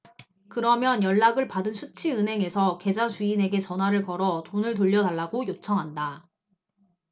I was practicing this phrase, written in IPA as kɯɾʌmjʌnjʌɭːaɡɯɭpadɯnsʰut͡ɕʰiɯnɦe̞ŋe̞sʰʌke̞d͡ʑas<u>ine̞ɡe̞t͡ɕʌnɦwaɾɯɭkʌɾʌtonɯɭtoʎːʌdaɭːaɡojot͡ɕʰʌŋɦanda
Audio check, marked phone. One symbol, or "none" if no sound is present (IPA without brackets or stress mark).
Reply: u